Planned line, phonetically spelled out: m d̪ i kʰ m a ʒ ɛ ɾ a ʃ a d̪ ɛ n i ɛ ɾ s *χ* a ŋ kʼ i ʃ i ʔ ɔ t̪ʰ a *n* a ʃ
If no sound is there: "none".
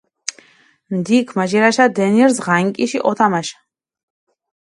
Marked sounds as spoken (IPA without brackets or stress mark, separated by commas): ʁ, m